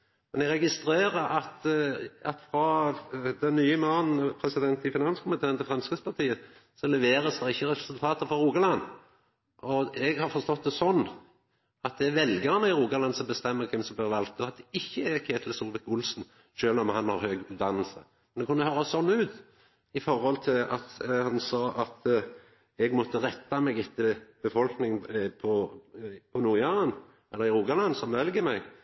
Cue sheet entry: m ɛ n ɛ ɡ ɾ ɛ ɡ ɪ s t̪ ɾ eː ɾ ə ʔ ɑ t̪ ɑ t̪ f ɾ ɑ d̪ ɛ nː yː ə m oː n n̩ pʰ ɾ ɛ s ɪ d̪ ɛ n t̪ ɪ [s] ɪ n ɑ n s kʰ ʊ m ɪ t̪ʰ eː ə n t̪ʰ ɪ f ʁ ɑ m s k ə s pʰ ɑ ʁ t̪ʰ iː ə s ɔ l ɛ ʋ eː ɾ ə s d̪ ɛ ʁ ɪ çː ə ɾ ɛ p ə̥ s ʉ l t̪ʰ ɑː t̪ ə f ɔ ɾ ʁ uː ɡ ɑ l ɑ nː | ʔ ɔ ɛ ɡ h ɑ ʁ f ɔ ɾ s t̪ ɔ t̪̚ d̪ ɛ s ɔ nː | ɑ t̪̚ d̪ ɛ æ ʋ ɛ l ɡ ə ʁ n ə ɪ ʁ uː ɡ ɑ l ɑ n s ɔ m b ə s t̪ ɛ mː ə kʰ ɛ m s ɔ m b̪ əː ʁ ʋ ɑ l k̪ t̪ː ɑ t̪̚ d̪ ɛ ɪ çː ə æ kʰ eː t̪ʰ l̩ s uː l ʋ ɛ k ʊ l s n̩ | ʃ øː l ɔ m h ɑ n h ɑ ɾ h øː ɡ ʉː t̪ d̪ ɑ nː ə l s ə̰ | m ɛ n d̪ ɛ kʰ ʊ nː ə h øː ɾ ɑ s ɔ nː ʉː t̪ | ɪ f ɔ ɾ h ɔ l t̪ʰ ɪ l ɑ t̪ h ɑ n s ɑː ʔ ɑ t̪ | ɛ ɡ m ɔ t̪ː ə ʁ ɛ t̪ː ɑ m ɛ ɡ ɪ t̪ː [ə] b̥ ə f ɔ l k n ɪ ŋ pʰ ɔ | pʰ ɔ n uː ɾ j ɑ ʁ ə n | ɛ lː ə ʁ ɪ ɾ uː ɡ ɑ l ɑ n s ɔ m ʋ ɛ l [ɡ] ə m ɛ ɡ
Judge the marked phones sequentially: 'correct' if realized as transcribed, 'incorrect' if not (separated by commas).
incorrect, correct, correct